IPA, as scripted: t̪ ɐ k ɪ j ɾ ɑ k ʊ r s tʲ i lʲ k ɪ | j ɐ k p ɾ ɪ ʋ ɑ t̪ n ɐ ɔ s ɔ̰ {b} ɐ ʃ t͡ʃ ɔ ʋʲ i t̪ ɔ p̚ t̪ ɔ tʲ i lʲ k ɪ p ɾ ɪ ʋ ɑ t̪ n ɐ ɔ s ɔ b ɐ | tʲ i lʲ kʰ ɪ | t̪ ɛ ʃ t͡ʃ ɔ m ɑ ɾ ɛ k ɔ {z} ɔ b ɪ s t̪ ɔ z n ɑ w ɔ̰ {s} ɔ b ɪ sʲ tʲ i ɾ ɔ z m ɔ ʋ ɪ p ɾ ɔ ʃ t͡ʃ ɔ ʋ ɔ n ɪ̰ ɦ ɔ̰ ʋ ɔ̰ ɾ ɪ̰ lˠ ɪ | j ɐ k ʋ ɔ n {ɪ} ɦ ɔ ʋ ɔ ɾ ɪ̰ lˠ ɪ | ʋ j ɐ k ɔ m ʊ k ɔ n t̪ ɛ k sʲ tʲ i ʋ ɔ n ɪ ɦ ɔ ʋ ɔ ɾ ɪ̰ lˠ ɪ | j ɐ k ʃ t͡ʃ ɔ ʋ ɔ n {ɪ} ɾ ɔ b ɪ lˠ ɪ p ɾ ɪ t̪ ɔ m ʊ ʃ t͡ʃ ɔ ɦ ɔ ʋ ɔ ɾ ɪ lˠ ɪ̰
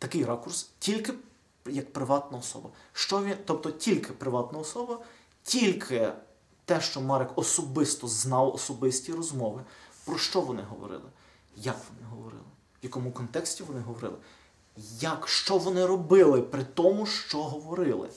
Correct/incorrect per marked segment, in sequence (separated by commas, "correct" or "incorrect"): correct, incorrect, correct, correct, correct